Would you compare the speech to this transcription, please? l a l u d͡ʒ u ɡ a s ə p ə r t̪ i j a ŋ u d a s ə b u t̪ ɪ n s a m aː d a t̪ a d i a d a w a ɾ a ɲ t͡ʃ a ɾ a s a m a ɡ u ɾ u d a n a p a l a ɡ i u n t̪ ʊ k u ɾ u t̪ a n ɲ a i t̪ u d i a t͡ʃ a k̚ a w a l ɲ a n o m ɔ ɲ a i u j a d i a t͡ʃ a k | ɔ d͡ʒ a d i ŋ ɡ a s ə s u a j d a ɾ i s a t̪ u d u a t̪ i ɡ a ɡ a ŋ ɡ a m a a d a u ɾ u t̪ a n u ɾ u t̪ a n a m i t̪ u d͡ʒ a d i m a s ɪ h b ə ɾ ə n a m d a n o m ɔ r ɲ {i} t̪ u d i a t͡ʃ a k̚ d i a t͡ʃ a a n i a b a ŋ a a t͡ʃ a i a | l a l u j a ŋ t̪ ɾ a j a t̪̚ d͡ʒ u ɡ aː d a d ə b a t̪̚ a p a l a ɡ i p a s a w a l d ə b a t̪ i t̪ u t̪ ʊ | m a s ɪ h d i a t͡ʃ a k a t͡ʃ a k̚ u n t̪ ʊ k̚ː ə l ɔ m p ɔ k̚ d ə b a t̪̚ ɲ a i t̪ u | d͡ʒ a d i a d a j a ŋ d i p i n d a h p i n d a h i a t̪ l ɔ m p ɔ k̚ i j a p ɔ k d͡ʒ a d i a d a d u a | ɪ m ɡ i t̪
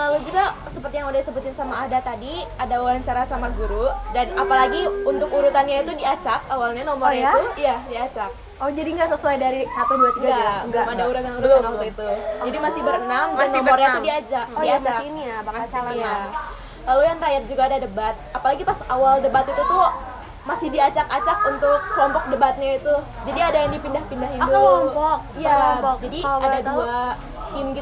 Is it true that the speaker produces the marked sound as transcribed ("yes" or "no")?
no